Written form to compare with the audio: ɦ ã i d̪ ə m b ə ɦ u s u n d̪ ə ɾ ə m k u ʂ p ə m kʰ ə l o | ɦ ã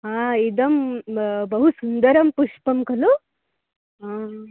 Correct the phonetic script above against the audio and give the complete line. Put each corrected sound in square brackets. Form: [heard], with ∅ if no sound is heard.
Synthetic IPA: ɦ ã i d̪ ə m b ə ɦ u s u n d̪ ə ɾ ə m [p] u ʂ p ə m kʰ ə l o | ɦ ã